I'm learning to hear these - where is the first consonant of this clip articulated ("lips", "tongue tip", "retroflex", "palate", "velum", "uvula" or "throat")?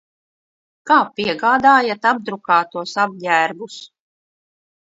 velum